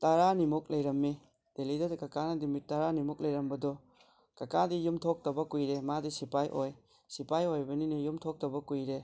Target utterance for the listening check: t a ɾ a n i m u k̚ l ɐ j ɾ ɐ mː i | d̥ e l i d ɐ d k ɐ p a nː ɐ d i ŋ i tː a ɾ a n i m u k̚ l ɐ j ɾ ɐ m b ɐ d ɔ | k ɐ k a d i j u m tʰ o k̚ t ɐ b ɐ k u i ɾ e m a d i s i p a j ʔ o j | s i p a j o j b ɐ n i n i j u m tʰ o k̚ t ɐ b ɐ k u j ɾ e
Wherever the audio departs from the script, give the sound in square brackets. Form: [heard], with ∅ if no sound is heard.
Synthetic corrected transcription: t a ɾ a n i m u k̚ l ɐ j ɾ ɐ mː i | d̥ e l i d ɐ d k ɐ [k] a [n] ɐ d i [m] i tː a ɾ a n i m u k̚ l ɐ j ɾ ɐ m b ɐ d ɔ | k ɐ k a d i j u m tʰ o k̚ t ɐ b ɐ k u [j] ɾ e m a d i s i p a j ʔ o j | s i p a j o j b ɐ n i n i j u m tʰ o k̚ t ɐ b ɐ k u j ɾ e